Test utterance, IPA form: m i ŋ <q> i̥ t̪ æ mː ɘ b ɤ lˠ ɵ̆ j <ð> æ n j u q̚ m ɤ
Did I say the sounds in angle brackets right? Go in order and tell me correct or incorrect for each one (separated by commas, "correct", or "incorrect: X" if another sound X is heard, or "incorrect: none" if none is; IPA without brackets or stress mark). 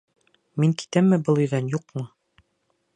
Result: incorrect: k, correct